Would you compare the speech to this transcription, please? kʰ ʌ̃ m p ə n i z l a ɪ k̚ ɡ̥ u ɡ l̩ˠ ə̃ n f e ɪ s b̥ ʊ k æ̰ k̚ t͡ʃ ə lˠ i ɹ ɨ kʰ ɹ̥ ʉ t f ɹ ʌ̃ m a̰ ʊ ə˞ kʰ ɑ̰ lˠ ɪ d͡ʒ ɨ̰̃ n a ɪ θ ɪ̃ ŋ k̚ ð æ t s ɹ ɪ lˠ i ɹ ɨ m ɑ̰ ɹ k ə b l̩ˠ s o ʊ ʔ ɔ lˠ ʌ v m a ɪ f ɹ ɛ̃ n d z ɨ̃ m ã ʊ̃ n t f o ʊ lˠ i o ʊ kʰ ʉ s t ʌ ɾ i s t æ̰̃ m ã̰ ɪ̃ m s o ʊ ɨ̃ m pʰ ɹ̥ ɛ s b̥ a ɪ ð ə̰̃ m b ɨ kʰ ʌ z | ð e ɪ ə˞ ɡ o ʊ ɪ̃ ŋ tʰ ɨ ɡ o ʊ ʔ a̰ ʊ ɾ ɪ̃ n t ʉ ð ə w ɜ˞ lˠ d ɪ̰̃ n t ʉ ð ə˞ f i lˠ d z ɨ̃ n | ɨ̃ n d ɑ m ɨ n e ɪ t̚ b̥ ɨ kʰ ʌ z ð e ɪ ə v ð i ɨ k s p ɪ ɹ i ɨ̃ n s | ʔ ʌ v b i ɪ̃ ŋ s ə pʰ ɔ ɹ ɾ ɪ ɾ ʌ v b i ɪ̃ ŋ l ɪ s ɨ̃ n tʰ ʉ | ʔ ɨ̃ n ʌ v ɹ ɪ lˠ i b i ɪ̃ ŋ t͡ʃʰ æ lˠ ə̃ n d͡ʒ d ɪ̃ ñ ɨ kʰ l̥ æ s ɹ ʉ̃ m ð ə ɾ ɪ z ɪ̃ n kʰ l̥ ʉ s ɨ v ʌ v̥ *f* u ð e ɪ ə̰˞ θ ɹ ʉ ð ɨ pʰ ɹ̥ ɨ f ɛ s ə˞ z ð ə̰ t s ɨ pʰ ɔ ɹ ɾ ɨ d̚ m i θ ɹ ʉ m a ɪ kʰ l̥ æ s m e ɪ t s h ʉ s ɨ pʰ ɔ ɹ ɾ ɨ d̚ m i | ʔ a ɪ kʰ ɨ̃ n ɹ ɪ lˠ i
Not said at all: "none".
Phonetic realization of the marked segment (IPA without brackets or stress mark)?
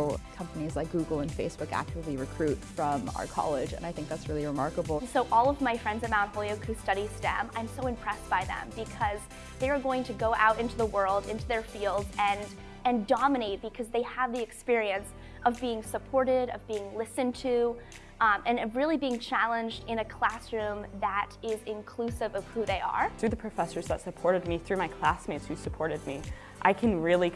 h